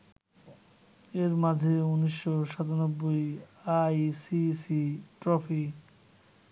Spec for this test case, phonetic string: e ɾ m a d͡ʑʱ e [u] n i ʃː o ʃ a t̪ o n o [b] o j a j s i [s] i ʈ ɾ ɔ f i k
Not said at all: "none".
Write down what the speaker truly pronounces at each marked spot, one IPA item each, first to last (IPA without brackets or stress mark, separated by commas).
u, bː, s